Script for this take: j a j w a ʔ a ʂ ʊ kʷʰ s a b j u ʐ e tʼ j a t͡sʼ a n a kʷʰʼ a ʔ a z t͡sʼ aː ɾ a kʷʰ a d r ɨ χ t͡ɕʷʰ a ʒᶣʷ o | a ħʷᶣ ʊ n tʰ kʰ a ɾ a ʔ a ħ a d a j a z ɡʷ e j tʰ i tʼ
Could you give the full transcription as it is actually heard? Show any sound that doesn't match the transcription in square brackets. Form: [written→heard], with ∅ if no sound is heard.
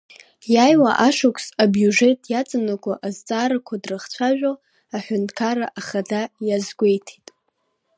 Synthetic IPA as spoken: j a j w a ʔ a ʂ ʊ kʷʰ s a b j u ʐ e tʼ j a t͡sʼ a n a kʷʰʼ a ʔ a z t͡sʼ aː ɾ a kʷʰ a d r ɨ χ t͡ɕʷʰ a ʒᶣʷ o | a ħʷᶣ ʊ n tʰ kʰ a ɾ a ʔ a [ħ→χ] a d a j a z ɡʷ e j tʰ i tʼ